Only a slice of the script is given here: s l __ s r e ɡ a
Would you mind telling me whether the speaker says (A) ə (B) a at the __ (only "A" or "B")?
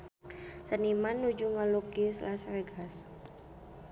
B